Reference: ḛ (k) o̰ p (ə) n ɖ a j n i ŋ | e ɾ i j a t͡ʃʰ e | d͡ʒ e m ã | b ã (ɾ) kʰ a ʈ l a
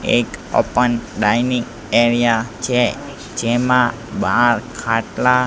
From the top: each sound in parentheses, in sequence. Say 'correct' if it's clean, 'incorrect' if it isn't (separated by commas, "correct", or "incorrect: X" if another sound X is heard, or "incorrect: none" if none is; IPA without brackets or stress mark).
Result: correct, correct, correct